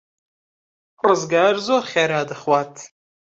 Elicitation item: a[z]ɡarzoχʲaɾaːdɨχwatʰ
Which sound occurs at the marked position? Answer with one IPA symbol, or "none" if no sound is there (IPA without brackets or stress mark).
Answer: z